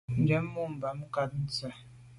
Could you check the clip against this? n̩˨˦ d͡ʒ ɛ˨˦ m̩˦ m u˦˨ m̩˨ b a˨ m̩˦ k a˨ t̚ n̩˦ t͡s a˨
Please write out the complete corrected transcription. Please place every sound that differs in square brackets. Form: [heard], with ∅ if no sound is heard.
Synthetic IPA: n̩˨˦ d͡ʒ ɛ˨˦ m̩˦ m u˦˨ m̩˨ b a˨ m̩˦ k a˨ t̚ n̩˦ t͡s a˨

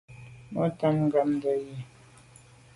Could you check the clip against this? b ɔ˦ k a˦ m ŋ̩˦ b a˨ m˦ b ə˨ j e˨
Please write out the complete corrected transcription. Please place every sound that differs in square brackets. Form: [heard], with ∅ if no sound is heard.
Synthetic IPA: [m] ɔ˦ [t] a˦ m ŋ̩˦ [ɡ] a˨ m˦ [d] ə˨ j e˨

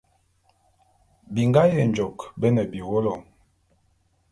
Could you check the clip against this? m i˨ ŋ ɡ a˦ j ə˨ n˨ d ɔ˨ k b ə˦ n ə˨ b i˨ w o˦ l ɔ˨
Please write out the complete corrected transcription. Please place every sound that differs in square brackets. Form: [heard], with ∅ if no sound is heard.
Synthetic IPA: [b] i˨ ŋ ɡ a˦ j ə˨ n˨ [d͡ʒ] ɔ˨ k b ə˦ n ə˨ b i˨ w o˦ l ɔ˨

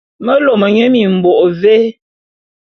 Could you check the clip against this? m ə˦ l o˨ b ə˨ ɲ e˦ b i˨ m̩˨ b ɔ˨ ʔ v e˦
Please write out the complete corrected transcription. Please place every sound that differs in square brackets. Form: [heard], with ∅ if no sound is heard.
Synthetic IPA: m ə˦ l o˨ [m] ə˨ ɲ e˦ [m] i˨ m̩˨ b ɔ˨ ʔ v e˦

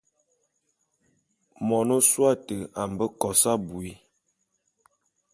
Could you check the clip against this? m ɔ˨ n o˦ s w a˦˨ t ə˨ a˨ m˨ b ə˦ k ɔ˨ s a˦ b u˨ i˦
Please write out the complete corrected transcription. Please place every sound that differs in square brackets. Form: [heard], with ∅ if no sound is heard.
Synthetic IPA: m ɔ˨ n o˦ s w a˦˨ t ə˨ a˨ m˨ b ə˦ k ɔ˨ s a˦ b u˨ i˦

